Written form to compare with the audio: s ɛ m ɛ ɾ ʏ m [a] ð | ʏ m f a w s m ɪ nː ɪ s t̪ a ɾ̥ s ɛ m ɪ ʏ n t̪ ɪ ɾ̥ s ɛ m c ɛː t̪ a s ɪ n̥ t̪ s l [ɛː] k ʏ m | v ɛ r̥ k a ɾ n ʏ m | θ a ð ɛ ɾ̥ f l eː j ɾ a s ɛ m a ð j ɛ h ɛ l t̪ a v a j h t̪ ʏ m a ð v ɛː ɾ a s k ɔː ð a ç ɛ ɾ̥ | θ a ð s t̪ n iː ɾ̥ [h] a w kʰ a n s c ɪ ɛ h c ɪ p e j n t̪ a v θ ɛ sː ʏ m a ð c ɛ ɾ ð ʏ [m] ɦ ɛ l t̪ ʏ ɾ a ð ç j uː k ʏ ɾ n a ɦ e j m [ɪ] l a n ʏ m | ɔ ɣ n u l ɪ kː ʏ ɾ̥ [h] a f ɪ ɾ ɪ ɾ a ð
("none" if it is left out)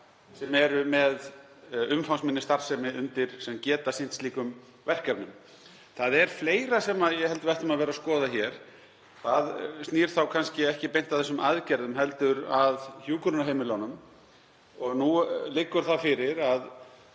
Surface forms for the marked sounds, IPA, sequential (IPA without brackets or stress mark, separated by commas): ɛ, iː, θ, m, ɪ, θ